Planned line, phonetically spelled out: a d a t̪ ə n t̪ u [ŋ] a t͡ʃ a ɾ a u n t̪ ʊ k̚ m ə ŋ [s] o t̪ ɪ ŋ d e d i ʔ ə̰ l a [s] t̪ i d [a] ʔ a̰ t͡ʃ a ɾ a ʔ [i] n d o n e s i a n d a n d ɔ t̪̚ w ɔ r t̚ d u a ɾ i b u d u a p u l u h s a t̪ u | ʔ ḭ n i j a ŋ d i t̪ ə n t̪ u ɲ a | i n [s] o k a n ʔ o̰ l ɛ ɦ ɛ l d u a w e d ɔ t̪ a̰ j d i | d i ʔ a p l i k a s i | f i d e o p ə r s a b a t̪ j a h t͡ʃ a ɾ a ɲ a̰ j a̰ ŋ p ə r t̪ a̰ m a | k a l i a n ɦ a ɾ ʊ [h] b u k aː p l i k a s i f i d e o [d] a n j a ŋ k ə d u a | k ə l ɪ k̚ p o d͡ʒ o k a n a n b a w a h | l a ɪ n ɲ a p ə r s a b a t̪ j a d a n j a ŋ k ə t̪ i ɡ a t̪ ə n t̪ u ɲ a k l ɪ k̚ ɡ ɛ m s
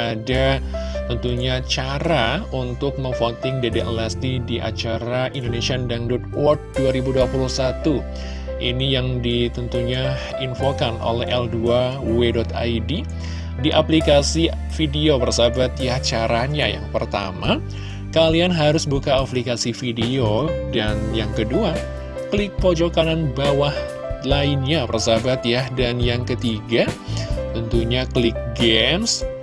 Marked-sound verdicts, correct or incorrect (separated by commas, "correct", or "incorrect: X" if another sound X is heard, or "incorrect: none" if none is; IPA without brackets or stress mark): incorrect: ɲ, incorrect: f, correct, incorrect: i, correct, incorrect: f, incorrect: s, correct